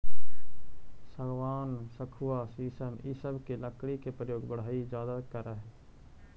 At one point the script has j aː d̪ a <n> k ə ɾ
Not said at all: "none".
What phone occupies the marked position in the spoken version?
none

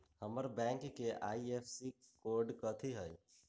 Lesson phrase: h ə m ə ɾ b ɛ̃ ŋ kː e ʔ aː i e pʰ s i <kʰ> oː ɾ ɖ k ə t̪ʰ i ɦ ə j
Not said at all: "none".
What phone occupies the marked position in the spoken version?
k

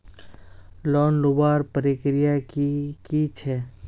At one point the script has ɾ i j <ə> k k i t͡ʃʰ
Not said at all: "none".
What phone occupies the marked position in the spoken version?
a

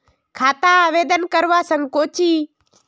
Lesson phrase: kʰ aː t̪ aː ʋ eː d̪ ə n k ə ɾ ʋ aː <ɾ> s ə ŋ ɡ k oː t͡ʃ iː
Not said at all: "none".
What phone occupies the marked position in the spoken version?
none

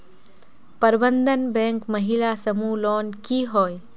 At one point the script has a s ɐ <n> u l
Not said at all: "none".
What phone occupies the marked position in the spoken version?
m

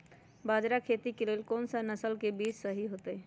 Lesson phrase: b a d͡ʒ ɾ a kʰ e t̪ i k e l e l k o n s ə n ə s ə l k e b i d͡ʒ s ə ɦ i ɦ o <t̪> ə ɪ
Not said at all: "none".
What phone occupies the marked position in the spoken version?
t̪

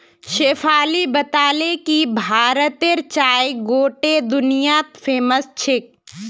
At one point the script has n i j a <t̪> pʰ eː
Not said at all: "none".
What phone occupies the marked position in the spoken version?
t̪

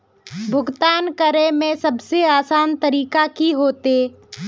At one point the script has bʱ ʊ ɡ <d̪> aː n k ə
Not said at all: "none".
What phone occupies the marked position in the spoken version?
t̪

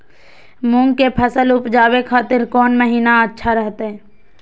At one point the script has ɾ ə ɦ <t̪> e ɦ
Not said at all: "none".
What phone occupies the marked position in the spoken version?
t̪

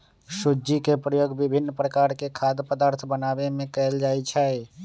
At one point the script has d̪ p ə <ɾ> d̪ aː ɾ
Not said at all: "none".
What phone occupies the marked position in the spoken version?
none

